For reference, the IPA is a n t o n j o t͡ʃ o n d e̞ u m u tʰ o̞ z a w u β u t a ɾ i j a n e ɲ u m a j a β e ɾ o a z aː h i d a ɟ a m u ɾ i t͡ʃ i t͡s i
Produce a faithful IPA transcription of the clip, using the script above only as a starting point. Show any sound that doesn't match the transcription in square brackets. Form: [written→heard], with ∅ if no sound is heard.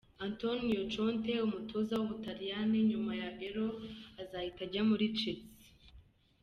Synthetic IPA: a n t o n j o t͡ʃ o n [d→t] e̞ u m u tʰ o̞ z a w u β u t a ɾ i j a n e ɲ u m a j a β e ɾ o a z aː h i [d→t] a ɟ a m u ɾ i t͡ʃ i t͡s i